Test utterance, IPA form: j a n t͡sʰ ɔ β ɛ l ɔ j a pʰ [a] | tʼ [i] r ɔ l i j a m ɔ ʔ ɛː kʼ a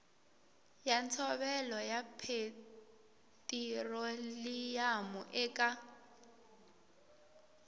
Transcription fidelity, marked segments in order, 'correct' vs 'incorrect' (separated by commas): incorrect, correct